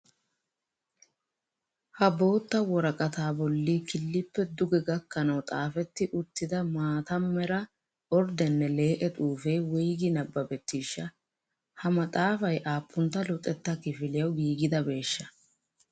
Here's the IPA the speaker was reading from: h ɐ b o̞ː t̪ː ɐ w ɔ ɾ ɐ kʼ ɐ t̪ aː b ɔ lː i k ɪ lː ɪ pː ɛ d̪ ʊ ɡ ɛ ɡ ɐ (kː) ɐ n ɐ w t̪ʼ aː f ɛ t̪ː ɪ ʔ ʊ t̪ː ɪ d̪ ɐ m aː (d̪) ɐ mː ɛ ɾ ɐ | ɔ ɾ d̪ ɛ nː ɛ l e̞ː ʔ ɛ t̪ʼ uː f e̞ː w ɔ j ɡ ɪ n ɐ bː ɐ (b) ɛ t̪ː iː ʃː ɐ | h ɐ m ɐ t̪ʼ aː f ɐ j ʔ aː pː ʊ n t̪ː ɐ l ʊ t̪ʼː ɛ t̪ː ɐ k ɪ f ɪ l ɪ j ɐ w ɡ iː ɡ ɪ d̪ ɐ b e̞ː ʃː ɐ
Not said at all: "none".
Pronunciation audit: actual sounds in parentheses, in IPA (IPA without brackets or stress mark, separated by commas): kː, t̪, b